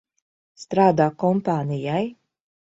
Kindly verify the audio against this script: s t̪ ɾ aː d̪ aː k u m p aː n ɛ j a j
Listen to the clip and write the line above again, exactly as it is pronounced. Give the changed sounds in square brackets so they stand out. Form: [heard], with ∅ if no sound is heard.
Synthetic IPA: s t̪ ɾ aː d̪ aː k [ɔ] m p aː n [i] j a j